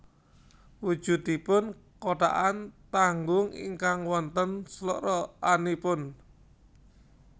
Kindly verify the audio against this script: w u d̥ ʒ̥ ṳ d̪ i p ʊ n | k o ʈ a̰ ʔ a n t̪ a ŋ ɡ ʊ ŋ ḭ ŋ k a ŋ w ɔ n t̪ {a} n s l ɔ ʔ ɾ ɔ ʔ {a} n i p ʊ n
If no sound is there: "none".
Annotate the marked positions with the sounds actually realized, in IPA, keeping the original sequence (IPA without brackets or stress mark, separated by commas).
ə, a